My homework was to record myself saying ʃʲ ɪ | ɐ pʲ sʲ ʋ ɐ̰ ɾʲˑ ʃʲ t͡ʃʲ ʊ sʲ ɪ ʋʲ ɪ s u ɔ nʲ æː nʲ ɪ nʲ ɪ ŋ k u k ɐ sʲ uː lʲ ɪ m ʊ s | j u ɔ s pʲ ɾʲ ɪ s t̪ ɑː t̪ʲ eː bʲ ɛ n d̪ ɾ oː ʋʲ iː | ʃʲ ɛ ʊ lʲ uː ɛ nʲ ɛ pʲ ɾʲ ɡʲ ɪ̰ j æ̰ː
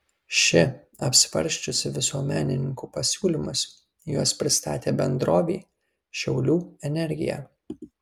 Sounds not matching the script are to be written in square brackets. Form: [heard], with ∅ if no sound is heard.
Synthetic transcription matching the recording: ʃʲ ɪ | ɐ pʲ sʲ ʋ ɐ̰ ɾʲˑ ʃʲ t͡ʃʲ ʊ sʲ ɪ ʋʲ ɪ s u ɔ [mʲ] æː nʲ ɪ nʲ ɪ ŋ k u [p] ɐ sʲ uː lʲ ɪ m ʊ s | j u ɔ s pʲ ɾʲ ɪ s t̪ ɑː t̪ʲ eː bʲ ɛ n d̪ ɾ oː ʋʲ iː | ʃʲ ɛ ʊ lʲ uː ɛ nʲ ɛ [∅] ɾʲ ɡʲ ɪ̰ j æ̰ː